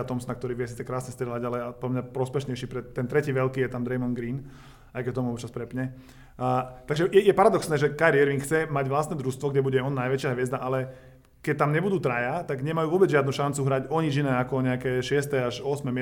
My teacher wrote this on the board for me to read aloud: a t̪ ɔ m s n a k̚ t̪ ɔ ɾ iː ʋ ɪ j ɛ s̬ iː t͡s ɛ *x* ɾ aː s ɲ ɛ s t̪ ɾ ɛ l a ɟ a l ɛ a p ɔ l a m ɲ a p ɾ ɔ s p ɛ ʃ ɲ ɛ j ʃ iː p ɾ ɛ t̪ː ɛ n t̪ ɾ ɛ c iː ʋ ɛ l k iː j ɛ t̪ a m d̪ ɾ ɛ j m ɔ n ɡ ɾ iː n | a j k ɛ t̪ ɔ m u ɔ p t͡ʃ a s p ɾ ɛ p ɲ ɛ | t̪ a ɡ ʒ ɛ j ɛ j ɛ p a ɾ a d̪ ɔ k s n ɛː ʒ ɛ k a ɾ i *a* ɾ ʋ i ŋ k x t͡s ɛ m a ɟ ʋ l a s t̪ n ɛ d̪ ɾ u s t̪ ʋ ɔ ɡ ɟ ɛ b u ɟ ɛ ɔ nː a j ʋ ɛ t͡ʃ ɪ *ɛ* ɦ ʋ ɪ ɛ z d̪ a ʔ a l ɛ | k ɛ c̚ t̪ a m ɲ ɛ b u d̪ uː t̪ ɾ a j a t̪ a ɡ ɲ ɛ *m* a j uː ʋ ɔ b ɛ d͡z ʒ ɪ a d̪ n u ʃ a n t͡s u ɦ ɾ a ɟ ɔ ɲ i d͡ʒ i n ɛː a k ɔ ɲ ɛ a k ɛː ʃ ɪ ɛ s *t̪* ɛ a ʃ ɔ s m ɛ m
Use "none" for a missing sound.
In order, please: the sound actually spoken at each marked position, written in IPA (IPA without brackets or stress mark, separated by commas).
k, ɛ, a, m, t̪